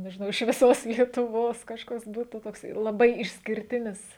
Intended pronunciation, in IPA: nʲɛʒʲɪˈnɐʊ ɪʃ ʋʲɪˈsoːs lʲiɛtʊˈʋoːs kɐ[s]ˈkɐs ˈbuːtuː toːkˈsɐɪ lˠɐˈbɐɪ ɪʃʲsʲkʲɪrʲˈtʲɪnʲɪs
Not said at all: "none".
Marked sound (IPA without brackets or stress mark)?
ʃ